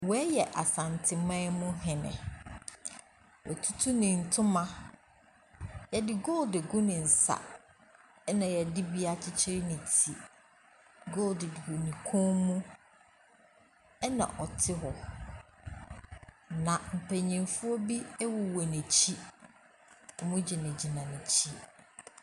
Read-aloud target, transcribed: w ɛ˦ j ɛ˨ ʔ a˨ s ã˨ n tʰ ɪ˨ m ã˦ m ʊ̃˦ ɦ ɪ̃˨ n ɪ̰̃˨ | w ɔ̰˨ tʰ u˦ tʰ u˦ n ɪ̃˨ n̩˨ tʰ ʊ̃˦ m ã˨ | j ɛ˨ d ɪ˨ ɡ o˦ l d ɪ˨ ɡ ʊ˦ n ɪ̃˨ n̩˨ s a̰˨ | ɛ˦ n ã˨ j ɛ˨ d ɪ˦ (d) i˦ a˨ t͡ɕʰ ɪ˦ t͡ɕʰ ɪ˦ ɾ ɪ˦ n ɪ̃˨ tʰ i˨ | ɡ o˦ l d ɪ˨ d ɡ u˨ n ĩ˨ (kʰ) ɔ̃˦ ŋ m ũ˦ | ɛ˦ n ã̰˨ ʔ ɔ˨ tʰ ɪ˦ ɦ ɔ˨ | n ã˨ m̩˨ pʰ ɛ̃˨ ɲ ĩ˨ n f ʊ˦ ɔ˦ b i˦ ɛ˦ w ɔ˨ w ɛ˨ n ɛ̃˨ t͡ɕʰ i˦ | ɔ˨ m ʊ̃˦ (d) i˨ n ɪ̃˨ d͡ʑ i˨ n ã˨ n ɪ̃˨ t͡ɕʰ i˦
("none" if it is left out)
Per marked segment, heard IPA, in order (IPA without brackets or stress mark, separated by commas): b, kʰ, d͡ʑ